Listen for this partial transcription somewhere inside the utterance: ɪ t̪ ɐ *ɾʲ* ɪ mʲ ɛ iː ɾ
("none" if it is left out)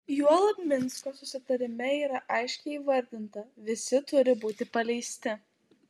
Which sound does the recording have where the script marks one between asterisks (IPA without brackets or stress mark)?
ɾʲ